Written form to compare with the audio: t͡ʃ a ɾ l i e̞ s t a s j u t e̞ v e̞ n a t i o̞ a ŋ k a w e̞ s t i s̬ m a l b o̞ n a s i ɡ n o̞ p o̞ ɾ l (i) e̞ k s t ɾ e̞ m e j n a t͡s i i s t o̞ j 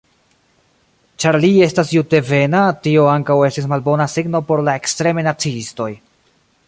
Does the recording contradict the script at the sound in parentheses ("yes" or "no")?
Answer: yes